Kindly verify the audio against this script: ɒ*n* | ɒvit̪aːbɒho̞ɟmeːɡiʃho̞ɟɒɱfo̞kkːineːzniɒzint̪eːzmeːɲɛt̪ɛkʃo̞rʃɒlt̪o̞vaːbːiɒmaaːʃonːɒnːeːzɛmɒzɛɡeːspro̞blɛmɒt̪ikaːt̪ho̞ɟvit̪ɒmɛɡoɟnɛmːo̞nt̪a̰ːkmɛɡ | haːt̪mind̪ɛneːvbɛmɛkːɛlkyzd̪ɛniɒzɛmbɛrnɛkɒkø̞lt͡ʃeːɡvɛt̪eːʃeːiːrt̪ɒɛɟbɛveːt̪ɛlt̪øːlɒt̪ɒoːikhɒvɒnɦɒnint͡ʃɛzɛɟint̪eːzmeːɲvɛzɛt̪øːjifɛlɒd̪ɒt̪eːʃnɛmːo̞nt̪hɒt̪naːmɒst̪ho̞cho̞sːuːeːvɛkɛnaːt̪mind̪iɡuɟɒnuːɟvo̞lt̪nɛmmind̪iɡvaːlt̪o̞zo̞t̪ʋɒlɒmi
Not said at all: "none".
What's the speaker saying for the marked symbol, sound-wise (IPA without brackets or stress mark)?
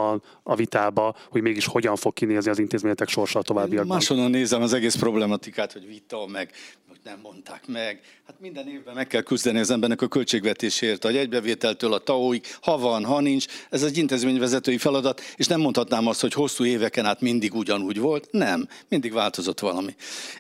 n